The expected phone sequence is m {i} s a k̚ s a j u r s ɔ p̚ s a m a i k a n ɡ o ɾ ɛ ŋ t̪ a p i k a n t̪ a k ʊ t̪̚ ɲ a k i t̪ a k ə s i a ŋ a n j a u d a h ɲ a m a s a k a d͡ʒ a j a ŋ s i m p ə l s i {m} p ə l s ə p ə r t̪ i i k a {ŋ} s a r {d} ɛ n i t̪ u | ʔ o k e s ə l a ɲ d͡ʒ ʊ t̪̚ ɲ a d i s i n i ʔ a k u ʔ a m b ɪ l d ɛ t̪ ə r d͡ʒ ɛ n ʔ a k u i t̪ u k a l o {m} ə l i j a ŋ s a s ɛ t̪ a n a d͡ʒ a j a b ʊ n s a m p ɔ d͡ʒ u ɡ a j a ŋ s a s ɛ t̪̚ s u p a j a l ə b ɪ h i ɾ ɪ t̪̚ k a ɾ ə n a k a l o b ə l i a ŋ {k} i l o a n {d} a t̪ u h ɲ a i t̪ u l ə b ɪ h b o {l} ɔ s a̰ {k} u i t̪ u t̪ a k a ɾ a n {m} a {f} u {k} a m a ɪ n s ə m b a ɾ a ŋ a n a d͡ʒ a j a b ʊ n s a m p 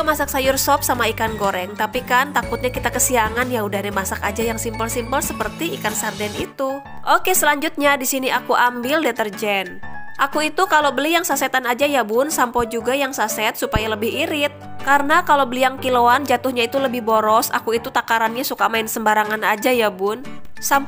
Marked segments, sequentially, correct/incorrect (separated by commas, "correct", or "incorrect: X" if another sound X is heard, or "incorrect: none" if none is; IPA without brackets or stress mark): incorrect: a, correct, incorrect: n, correct, incorrect: b, correct, incorrect: d͡ʒ, incorrect: ɾ, correct, incorrect: ɲ, incorrect: s, correct